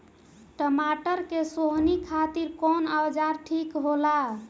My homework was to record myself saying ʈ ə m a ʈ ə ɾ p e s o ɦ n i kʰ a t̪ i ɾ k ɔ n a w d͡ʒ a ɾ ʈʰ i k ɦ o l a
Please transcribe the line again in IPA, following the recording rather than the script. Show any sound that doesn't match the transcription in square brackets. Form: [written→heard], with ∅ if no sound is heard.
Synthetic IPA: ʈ ə m a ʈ ə ɾ [p→k] e s o ɦ n i kʰ a t̪ i ɾ k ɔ n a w d͡ʒ a ɾ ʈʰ i k ɦ o l a

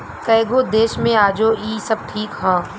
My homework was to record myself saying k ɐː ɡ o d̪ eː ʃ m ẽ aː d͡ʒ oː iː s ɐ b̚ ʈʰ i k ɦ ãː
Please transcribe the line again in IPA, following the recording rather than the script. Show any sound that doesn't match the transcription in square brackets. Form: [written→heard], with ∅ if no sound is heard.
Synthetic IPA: k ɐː ɡ o d̪ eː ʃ m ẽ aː d͡ʒ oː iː s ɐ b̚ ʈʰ [i→iː] k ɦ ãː

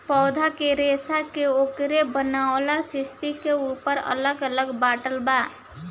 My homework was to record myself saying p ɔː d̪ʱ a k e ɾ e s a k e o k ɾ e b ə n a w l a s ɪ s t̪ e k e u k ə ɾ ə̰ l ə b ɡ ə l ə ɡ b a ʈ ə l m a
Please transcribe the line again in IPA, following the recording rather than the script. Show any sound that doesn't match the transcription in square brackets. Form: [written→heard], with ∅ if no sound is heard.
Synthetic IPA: p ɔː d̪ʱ a k e ɾ e s a k e o k ɾ e b ə n a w l a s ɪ s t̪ [e→i] k e u [k→p] ə ɾ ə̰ l ə [b→∅] ɡ ə l ə ɡ b a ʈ ə l [m→b] a

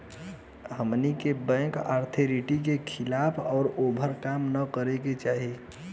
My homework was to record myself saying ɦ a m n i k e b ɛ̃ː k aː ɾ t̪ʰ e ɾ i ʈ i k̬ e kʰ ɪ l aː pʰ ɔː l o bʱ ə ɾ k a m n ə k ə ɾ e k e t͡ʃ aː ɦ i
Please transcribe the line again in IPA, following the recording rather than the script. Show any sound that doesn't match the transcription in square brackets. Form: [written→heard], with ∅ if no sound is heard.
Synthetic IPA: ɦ [a→ə] m n i k e b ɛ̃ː k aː ɾ t̪ʰ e ɾ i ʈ i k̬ e kʰ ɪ l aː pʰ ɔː [l→ɾ] o bʱ ə ɾ k a m n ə k ə ɾ e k e t͡ʃ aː ɦ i

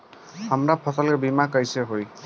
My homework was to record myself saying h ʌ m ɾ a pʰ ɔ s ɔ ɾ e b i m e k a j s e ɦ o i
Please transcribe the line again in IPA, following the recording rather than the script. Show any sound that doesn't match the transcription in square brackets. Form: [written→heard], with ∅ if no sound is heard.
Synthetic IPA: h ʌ m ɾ a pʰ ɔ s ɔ [ɾ→l] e b i m [e→a] k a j s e ɦ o [i→j]

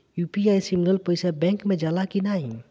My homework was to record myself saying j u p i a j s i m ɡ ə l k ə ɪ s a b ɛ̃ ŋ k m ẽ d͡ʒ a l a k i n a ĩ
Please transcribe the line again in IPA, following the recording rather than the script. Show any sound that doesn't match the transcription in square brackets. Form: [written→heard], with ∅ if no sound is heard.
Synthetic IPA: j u p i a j s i m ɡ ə l [k→p] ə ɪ s a b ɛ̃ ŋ k m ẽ d͡ʒ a l a k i n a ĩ

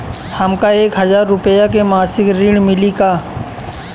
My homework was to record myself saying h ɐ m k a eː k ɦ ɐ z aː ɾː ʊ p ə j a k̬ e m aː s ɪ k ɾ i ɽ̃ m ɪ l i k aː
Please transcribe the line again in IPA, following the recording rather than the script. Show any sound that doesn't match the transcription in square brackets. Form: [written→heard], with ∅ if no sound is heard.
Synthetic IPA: h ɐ m k a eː k ɦ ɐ z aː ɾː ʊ p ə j a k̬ e m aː s ɪ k ɾ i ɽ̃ m ɪ l i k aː

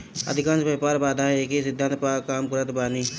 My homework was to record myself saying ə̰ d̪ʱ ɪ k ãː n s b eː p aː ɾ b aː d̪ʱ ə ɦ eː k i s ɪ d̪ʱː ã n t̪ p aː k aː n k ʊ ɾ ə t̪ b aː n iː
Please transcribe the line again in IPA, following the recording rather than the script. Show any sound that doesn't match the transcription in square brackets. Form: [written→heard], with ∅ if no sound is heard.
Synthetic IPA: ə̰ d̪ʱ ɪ k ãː n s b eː p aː ɾ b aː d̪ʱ [ə→a] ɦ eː k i s ɪ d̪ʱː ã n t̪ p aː k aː [n→m] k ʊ ɾ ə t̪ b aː n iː

